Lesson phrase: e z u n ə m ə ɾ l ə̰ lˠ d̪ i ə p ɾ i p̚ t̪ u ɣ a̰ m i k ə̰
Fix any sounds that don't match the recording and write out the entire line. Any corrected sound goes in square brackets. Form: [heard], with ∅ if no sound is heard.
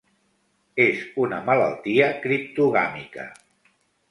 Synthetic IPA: e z u n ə m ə [∅] l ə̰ lˠ [t̪] i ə [k] ɾ i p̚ t̪ u ɣ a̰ m i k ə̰